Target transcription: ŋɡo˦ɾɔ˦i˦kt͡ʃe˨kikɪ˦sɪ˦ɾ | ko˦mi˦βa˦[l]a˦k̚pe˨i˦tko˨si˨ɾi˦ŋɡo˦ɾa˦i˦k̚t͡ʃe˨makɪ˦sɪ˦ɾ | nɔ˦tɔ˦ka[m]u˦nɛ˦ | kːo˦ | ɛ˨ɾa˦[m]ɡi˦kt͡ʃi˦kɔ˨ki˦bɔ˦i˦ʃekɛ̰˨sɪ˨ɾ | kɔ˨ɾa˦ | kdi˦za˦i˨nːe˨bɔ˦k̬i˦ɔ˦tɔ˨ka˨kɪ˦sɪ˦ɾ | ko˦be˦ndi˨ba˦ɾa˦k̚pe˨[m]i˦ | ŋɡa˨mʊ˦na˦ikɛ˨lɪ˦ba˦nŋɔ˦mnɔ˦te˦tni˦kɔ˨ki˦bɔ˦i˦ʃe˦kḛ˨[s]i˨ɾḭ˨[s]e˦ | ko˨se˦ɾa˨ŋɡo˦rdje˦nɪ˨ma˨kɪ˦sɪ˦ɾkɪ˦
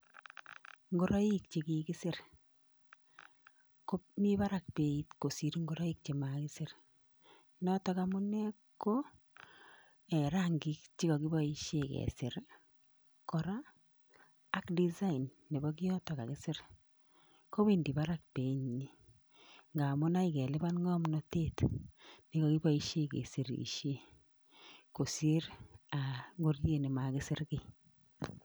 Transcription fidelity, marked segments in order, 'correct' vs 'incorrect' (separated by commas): incorrect, correct, incorrect, incorrect, correct, incorrect